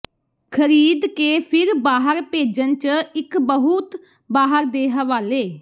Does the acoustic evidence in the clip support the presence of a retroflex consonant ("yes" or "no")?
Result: no